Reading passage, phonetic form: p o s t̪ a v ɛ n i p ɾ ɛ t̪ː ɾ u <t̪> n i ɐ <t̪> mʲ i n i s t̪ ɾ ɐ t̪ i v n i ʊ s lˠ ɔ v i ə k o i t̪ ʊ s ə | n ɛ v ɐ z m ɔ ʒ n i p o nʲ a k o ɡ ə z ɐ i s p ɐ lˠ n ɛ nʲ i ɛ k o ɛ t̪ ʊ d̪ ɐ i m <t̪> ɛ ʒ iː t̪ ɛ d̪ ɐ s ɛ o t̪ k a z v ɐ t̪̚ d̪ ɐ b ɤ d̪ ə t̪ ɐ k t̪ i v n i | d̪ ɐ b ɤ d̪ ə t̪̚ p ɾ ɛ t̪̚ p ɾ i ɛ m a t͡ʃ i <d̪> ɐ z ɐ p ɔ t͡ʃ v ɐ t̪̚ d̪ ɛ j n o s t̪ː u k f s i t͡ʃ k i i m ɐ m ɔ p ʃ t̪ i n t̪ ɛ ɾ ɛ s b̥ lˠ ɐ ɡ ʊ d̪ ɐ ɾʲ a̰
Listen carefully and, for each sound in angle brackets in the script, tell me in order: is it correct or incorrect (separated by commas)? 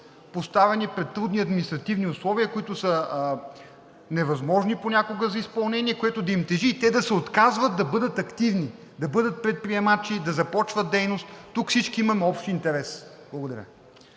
incorrect, incorrect, correct, correct